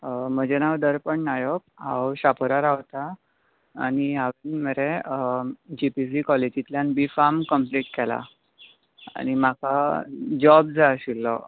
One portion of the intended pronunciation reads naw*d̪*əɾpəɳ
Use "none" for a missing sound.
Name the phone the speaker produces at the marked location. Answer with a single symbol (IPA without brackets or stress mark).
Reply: d̪